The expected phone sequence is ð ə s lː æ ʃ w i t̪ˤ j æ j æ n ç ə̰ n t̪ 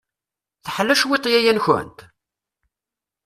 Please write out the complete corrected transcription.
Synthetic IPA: θ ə ħ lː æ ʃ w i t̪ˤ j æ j æ n ç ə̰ n t̪